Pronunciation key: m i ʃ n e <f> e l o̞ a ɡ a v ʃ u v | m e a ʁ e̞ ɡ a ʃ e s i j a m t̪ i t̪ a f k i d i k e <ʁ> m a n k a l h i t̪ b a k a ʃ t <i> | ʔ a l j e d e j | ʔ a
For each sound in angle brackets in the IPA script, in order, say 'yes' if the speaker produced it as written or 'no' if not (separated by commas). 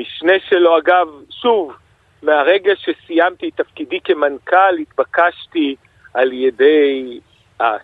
no, no, yes